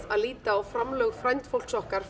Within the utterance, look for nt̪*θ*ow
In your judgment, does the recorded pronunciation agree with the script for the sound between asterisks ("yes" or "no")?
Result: no